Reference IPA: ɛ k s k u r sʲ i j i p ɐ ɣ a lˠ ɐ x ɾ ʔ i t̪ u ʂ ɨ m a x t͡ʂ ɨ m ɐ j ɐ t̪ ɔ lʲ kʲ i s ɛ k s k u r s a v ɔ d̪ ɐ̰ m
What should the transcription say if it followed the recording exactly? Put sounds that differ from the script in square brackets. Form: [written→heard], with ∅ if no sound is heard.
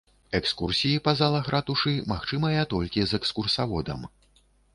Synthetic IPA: ɛ k s k u r sʲ i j i p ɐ [ɣ→z] a lˠ ɐ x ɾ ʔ [i→a] t̪ u ʂ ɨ m a x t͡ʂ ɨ m ɐ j ɐ t̪ ɔ lʲ kʲ i [s→z] ɛ k s k u r s a v ɔ d̪ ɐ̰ m